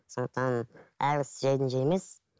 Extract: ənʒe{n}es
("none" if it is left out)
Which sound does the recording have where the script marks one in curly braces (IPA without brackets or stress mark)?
m